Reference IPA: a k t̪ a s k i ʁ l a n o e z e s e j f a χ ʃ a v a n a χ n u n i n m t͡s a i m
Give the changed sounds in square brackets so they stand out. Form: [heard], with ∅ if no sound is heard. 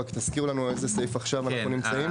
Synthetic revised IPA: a k t̪ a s k i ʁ l a n [u] e z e s e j f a χ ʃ a v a n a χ n u n i [∅] m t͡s a i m